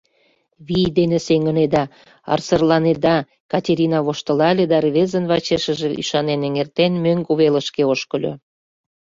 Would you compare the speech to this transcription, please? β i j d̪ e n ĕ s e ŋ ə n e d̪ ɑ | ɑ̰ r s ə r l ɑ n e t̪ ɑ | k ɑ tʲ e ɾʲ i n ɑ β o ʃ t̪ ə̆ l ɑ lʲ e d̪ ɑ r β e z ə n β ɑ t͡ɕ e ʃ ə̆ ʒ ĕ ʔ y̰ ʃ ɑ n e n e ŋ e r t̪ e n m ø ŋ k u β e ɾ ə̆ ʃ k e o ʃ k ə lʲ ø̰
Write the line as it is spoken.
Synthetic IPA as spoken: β i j d̪ e n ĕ s e ŋ ə n e d̪ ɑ | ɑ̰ r s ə r l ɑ n e d̪ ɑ | k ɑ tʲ e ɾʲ i n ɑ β o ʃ t̪ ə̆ l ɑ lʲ e d̪ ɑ r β e z ə n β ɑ t͡ɕ e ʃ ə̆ ʒ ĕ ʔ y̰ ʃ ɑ n e n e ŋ e r t̪ e n m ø ŋ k u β e l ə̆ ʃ k e o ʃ k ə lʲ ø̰